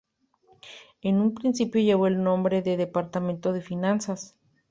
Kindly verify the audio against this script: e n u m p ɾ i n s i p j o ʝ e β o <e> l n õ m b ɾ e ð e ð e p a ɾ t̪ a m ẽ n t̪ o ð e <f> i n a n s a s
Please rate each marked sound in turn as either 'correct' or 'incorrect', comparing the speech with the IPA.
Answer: correct, correct

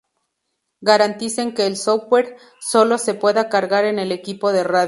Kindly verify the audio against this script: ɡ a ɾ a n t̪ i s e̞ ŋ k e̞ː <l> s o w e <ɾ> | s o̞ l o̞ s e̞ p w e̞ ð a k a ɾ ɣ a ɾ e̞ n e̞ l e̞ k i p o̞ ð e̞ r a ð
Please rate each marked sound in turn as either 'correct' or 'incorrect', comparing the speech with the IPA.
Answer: correct, correct

